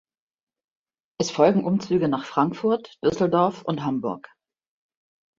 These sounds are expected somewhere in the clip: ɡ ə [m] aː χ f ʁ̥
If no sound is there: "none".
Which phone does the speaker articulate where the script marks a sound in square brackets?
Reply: n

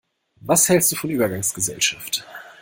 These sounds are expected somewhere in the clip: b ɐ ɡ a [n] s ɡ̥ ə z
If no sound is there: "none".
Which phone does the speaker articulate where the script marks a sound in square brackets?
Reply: ŋ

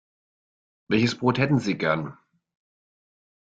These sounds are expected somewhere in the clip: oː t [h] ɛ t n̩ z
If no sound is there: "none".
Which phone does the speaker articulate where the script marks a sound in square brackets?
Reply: h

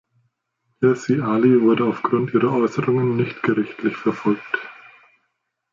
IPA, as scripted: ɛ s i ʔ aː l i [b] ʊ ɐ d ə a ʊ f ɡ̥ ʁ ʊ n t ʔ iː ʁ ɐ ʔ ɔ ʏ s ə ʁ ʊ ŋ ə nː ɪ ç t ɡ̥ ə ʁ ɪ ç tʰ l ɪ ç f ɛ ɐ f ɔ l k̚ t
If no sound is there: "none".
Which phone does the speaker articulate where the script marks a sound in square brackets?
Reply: v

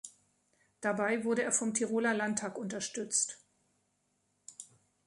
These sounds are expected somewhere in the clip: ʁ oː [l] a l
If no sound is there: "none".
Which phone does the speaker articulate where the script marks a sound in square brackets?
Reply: l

